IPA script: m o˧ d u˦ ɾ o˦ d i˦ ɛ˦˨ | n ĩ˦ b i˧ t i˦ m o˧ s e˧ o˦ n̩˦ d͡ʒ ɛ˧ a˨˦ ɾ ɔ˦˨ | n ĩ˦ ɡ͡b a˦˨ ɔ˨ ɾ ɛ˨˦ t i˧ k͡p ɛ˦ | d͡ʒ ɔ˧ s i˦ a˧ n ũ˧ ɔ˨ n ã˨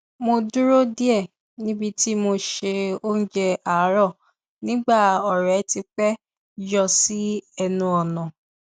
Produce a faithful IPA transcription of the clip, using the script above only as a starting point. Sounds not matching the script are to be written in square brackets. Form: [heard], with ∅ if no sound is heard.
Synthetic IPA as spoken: m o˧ d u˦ ɾ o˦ d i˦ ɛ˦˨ | n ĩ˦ b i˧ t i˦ m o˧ [ʃ] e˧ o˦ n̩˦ d͡ʒ ɛ˧ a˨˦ ɾ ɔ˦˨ | n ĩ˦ ɡ͡b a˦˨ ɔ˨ ɾ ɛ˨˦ t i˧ k͡p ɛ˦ | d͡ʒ ɔ˧ s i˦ [ɛ˧] n ũ˧ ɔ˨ n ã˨